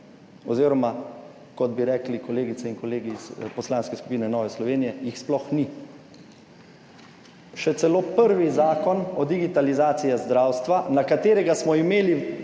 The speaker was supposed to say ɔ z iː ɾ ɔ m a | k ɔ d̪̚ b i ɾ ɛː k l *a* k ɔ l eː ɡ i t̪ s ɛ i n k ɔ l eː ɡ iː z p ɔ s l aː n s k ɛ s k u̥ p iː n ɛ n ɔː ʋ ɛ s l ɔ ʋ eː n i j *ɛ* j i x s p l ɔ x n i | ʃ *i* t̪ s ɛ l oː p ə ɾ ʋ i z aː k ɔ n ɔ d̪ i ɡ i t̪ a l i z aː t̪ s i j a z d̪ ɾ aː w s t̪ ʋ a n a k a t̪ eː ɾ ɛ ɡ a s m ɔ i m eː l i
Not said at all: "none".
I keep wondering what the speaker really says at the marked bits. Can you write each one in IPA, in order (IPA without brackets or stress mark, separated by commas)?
i, ɛ, ɛ